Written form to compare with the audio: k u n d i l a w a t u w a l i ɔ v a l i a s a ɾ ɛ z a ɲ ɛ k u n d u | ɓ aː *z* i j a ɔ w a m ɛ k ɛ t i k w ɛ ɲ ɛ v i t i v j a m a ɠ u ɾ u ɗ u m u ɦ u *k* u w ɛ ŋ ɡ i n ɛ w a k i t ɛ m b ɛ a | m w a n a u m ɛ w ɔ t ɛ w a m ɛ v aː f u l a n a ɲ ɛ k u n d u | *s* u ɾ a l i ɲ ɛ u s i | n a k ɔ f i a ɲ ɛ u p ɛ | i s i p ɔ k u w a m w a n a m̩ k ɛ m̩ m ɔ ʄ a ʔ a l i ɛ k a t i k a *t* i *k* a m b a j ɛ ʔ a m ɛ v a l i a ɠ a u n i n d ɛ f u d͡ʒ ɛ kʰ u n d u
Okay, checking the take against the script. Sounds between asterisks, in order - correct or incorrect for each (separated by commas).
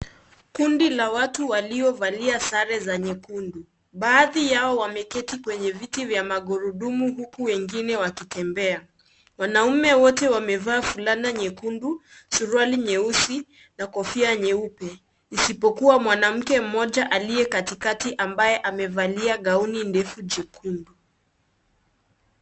incorrect, correct, correct, correct, incorrect